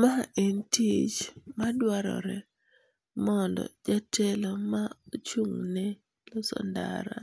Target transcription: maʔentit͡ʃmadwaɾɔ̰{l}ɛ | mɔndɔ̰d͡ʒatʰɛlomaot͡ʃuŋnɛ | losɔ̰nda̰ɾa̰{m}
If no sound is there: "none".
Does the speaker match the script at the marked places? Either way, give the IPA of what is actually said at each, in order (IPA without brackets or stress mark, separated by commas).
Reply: ɾ, none